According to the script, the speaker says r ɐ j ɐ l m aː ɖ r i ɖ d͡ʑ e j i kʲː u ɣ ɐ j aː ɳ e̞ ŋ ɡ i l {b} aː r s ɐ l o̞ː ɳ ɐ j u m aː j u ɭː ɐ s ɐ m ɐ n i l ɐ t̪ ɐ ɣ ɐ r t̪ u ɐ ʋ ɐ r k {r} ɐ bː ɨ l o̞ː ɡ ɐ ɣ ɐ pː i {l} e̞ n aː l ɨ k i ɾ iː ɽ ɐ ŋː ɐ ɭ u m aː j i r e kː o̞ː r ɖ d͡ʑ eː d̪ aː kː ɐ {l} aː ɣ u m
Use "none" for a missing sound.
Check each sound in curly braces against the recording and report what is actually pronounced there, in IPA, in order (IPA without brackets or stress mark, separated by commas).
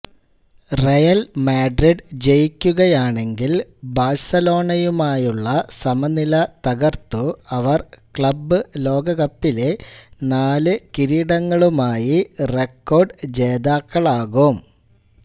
b, ɭ, l, ɭ